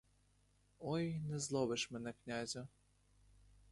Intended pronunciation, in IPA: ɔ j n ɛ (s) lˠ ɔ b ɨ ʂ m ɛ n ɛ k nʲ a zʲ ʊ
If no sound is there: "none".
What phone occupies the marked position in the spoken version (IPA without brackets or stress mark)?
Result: z